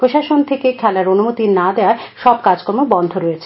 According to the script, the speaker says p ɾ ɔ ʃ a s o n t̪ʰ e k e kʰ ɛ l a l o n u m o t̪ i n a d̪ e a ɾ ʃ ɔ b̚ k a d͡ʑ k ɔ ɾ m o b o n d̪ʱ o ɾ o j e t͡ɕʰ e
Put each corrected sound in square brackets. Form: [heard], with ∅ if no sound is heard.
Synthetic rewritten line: p ɾ [o] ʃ a [ʃ] o n t̪ʰ e k e kʰ ɛ l a [ɾ] o n u m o t̪ i n a d̪ e a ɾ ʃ ɔ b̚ k a d͡ʑ k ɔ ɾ m o b [ɔ] n d̪ʱ o ɾ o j e t͡ɕʰ e

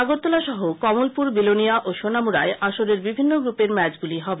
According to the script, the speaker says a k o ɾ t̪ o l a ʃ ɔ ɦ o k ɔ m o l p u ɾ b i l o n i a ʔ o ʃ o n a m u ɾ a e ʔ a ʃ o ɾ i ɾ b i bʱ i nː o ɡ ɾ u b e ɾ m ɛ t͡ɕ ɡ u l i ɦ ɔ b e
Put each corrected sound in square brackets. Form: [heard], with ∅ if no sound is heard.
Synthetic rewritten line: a [ɡ] o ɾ t̪ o l a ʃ ɔ ɦ o k ɔ m o l p u ɾ b i l o n i a ʔ o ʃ o n a m u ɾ a e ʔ a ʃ o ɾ [e] ɾ b i bʱ i nː o ɡ ɾ u [p] e ɾ m ɛ t͡ɕ ɡ u l i ɦ ɔ b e

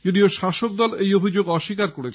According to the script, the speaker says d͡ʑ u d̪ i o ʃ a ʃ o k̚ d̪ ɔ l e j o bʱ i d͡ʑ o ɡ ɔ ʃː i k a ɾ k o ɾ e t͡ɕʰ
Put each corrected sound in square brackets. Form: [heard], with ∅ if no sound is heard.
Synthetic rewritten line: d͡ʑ [o] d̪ i o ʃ a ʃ o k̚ d̪ ɔ l e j o bʱ i d͡ʑ o ɡ ɔ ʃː i k a ɾ k o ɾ e t͡ɕʰ

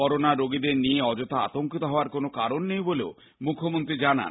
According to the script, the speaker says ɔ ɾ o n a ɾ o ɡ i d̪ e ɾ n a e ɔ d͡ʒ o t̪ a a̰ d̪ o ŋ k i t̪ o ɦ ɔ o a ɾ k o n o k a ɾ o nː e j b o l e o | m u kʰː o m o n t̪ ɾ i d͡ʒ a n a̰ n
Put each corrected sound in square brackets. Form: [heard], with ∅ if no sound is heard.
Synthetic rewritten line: ɔ ɾ o n a ɾ o ɡ i d̪ e ɾ n [i] e ɔ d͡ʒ o t̪ a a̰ [t̪] o ŋ k i t̪ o ɦ ɔ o a ɾ k o n o k a ɾ o nː e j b o l e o | m u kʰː o m o n t̪ ɾ i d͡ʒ a n a̰ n

